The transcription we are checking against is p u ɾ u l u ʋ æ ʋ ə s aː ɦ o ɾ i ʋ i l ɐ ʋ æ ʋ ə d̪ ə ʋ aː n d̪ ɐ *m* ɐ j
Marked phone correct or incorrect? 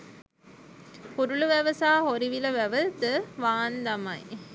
correct